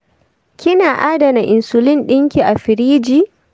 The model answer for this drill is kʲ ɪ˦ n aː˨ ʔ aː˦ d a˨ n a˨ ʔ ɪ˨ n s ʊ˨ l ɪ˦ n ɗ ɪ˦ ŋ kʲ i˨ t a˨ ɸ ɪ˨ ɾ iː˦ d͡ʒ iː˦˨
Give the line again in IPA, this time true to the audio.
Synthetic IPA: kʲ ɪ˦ n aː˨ ʔ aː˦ d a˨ n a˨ ʔ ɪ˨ n s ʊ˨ l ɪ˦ n ɗ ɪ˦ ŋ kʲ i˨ ʔ a˨ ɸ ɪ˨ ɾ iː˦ d͡ʒ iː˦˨